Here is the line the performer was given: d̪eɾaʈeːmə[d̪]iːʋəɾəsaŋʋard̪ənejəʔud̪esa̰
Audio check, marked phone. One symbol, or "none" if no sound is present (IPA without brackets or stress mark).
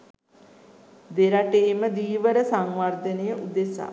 d̪